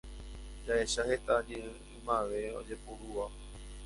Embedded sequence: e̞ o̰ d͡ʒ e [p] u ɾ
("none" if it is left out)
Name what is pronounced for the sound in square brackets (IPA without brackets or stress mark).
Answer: p